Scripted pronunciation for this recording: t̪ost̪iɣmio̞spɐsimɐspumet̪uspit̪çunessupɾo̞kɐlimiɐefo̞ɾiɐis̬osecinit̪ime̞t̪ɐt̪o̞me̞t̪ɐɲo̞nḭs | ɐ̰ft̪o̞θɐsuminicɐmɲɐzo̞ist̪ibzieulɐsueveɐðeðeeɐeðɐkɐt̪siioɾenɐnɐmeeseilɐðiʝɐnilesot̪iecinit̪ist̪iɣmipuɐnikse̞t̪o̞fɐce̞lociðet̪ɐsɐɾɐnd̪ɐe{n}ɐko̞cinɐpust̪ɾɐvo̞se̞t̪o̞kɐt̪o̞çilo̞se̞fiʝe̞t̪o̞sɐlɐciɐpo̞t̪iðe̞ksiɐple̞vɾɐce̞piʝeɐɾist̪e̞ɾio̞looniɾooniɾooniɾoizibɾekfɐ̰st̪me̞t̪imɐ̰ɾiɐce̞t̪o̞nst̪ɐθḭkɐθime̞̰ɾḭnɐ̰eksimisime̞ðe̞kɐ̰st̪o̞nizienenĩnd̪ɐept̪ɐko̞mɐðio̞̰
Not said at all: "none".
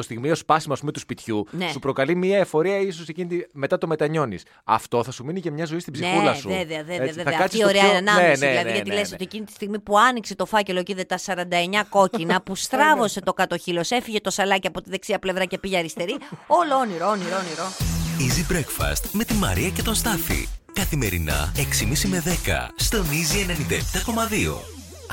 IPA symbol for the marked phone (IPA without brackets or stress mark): ɲ